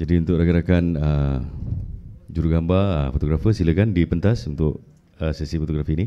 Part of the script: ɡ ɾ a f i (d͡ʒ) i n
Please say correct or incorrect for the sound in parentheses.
incorrect